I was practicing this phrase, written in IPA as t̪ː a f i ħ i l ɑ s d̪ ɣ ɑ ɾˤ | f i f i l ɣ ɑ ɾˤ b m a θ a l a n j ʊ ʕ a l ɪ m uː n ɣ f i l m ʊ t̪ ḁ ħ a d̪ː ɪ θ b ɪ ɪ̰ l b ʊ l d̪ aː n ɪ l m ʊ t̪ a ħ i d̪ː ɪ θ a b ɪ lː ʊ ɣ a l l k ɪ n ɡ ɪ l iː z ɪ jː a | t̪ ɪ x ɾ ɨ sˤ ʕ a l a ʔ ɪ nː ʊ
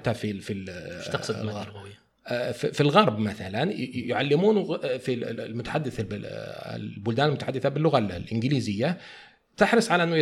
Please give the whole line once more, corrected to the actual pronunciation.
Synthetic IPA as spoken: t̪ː a f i f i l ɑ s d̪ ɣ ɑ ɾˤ | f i f i l ɣ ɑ ɾˤ b m a θ a l a n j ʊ ʕ a lː ɪ m uː n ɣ f i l m ʊ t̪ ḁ ħ a d̪ː ɪ θ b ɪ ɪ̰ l b ʊ l d̪ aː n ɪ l m ʊ t̪ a ħ a d̪ː ɪ θ a b ɪ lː ʊ ɣ a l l ʔ ɪ n ɡ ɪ l iː z ɪ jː a | t̪ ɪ ħ ɾ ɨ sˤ ʕ a l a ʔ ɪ nː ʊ